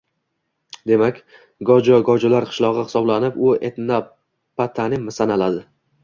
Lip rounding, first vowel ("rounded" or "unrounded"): unrounded